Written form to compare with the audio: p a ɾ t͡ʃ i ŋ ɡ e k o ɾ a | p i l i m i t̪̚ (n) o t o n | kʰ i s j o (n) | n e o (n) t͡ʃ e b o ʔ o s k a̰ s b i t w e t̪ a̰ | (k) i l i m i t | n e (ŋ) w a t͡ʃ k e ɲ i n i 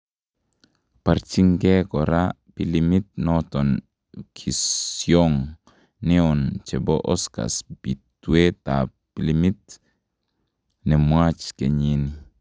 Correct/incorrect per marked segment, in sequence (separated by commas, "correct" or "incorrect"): correct, incorrect, correct, incorrect, incorrect